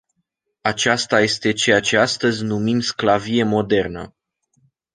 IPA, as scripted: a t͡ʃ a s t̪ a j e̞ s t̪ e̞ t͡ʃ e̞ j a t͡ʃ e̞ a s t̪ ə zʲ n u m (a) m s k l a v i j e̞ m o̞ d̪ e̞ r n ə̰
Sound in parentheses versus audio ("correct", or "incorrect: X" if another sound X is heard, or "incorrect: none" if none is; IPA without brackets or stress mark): incorrect: i